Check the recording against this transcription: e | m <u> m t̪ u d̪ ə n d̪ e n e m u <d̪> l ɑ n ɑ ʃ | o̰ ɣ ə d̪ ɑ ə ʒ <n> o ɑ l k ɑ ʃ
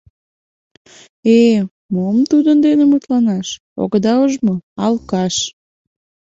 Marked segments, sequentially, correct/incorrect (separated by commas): incorrect, incorrect, incorrect